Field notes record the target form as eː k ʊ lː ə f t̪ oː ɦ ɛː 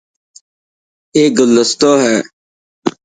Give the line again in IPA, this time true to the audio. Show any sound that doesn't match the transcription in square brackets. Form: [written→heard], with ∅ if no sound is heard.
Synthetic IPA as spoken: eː [k→ɡ] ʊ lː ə [f→s] t̪ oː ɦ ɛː